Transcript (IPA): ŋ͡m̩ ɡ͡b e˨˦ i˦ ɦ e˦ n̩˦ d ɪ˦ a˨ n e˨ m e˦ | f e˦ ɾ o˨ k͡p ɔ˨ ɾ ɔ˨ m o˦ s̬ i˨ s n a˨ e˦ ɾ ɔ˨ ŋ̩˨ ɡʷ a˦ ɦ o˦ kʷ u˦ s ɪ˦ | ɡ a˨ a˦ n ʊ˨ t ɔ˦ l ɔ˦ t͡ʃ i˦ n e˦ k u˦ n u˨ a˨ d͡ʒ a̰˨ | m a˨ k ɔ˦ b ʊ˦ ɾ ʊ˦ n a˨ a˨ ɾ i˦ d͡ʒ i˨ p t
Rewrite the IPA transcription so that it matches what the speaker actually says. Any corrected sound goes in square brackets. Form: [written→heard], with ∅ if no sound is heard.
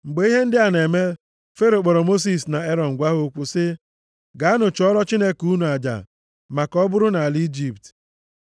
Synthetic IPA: ŋ͡m̩ ɡ͡b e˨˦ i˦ ɦ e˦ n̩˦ d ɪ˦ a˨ n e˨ m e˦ | f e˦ ɾ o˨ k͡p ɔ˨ ɾ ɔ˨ m o˦ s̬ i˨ s n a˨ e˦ ɾ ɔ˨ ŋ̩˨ ɡʷ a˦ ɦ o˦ kʷ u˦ s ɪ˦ | ɡ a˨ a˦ n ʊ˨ [t→t͡ʃ] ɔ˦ [l→ɾ] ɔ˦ t͡ʃ i˦ n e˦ k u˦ n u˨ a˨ d͡ʒ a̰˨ | m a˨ k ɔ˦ b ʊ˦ ɾ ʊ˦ n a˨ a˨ [ɾ→l] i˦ d͡ʒ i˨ p t